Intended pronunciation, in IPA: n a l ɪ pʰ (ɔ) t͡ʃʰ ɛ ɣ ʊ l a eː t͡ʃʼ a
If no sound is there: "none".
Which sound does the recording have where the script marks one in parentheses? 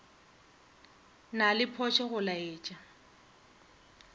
ɔ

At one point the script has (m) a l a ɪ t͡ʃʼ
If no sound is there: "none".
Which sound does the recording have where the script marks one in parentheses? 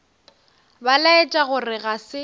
b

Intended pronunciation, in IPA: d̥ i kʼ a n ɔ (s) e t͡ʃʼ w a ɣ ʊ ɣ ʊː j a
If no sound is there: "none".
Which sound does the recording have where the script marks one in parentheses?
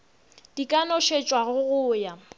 ʃ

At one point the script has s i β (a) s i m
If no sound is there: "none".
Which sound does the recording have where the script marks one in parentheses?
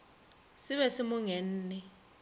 ɛ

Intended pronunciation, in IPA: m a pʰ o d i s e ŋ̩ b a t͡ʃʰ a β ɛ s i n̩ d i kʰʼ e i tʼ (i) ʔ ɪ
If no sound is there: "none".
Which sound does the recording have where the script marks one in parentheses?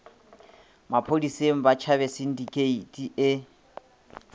i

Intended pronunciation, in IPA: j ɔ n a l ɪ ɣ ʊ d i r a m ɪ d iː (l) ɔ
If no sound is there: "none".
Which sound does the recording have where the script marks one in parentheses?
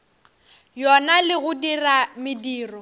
r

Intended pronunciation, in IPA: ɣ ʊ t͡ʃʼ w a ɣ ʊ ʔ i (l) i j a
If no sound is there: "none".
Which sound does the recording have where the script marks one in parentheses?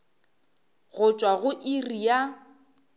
r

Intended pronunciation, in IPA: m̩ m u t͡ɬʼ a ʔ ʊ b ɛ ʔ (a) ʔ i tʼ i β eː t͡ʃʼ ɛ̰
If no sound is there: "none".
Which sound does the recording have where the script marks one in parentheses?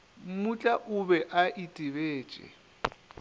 a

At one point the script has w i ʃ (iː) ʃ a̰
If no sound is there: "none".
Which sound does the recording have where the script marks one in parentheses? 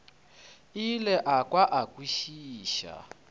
iː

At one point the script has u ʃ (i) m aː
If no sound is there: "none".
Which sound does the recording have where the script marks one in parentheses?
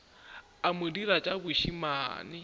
i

